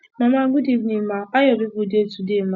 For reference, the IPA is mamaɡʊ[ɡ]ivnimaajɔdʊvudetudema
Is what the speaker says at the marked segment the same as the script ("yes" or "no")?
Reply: no